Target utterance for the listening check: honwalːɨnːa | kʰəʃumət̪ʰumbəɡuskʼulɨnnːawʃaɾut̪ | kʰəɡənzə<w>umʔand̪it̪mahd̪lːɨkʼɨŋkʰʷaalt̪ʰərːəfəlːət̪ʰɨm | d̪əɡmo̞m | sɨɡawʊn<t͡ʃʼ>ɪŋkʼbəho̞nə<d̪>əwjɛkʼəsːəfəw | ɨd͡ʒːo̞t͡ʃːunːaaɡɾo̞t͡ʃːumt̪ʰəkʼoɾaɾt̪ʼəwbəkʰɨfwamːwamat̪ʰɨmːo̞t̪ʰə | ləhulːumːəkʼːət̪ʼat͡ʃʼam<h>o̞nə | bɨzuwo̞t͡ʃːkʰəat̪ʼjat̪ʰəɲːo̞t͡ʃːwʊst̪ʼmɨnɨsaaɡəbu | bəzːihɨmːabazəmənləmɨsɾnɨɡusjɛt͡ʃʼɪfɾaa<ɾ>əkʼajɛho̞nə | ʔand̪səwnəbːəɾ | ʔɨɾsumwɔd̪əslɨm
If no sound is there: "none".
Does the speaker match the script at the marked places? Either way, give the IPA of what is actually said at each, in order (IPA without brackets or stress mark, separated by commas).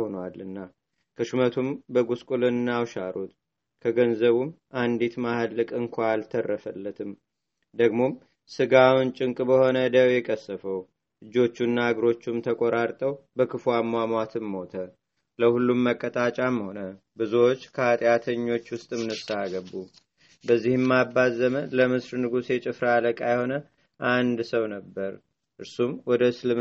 β, t͡ʃʼ, d̪, h, l